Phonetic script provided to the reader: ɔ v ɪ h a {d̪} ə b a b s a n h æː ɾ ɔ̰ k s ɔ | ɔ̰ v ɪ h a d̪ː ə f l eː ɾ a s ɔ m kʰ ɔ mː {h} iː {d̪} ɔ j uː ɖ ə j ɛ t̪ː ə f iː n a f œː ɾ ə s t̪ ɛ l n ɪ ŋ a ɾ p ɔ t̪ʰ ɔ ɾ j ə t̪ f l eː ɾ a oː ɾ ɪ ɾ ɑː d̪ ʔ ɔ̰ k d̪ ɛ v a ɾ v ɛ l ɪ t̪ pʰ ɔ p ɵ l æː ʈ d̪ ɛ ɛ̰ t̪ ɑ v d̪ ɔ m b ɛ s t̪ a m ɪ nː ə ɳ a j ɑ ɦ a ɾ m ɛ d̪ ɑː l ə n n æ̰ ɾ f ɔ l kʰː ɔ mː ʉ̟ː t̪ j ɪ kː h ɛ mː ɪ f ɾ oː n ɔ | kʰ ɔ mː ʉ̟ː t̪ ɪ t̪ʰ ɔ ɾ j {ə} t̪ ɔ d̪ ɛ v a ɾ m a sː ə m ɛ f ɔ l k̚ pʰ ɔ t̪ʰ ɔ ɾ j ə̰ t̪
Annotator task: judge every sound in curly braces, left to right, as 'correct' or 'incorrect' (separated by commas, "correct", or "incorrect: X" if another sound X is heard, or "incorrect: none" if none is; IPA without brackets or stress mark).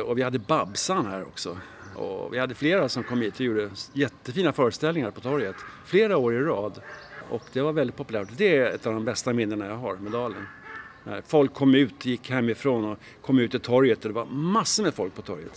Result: incorrect: d̪ː, correct, incorrect: t̪, correct